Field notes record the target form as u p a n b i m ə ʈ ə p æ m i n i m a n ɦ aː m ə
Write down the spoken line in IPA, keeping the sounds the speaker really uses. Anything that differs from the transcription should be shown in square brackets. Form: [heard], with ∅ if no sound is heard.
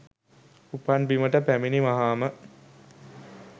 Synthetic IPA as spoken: u p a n b i m ə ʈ ə p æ m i n i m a [∅] ɦ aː m ə